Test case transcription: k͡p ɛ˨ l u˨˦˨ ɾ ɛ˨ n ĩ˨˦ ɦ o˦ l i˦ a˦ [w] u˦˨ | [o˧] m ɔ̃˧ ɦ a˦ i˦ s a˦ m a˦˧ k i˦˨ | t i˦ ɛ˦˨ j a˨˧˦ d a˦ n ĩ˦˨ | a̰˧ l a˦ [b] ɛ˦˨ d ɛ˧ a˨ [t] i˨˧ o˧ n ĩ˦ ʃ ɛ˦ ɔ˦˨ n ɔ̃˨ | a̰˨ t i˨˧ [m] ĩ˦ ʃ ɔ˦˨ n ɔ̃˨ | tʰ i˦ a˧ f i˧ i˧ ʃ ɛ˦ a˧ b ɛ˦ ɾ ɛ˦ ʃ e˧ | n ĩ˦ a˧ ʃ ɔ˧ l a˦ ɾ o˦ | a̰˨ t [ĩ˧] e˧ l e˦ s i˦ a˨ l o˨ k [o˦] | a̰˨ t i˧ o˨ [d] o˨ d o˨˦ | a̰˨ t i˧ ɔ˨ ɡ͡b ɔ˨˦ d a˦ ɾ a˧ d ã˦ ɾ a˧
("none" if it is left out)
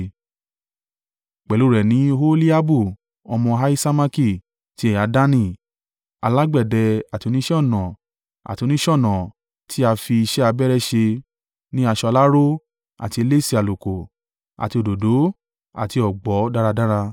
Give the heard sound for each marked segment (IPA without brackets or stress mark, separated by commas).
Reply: b, ɔ˧, ɡ͡b, t, n, i˧, o˨, d